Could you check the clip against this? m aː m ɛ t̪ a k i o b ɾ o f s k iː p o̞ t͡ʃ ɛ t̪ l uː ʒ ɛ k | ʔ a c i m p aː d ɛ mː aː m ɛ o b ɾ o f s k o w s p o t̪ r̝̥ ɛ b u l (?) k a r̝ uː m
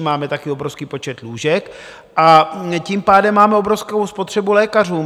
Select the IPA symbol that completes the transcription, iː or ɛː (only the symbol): ɛː